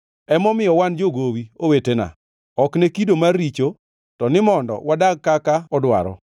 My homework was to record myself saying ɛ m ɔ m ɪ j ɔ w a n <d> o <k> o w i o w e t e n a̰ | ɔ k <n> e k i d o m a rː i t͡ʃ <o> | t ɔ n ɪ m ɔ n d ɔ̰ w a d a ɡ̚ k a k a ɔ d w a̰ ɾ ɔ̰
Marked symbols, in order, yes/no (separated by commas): no, no, yes, yes